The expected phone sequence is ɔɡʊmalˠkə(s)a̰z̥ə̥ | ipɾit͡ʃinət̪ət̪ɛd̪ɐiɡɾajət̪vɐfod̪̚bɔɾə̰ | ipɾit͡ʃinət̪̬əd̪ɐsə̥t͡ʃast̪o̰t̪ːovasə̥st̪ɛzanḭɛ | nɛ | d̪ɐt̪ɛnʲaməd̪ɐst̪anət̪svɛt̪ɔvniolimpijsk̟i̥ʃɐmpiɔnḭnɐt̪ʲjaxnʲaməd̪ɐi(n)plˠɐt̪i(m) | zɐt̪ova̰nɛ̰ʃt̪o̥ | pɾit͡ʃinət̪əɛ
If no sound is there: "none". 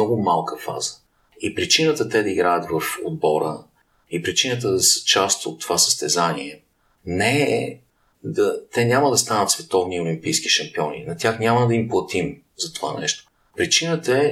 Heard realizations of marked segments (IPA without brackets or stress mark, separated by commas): f, m, m